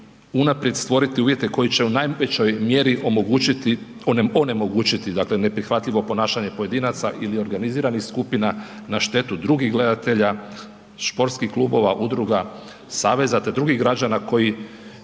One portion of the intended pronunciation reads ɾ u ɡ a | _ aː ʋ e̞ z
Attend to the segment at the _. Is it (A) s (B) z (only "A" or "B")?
A